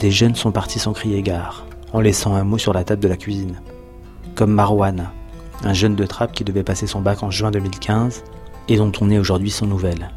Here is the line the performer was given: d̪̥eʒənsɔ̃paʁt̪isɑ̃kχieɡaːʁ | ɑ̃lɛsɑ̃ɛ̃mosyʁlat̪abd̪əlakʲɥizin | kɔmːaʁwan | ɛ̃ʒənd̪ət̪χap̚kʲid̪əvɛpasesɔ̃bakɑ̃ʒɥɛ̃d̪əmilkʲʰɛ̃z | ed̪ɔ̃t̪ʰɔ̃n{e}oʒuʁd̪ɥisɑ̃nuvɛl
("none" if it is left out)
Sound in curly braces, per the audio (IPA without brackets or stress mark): ɛ